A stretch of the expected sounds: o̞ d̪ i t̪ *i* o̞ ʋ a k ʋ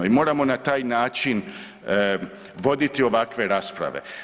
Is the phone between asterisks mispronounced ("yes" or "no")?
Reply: no